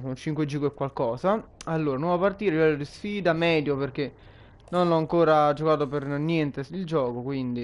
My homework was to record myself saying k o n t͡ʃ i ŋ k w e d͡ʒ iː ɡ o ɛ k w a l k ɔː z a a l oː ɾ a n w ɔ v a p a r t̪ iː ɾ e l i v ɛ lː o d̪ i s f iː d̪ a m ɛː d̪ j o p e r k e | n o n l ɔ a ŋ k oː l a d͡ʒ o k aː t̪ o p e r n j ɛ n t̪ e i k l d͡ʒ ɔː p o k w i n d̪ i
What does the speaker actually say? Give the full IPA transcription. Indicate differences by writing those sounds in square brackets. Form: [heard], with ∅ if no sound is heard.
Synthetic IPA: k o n t͡ʃ i ŋ k w e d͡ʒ iː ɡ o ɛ k w a l k ɔː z a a [lː] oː ɾ a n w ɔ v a p a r t̪ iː ɾ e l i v ɛ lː o d̪ i s f iː d̪ a m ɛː d̪ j o p e r k e | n o n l ɔ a ŋ k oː [ɾ] a d͡ʒ o k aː t̪ o p e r n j ɛ n t̪ e i [∅] l d͡ʒ ɔː [k] o k w i n d̪ i